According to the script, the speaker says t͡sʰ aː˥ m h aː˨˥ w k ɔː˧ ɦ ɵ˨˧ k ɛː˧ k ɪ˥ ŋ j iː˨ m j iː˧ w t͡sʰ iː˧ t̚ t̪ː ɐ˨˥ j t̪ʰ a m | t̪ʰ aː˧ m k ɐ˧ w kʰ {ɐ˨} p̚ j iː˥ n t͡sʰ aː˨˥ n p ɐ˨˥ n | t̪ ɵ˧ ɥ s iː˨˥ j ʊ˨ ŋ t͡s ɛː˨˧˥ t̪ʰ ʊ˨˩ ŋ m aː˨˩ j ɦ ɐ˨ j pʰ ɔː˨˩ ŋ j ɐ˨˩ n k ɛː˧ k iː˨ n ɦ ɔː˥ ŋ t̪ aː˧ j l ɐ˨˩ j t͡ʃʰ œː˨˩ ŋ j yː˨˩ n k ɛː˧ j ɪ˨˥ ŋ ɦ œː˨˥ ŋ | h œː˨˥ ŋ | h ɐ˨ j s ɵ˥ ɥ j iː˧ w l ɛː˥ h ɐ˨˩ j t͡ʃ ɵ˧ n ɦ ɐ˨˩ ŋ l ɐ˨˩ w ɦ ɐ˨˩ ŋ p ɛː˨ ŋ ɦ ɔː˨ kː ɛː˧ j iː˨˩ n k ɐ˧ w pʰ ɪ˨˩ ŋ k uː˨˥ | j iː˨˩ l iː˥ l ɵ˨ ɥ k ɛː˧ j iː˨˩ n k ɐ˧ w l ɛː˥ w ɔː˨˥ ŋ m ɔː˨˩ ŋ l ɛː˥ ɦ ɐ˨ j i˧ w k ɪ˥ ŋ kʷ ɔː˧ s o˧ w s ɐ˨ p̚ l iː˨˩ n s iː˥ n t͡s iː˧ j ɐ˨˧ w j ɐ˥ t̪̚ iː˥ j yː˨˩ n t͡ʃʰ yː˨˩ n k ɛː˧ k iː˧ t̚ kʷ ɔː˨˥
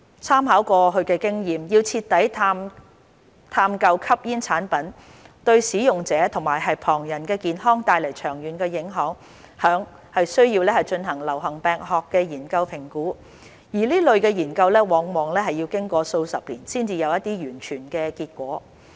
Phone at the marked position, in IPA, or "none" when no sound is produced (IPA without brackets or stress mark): ɐ˥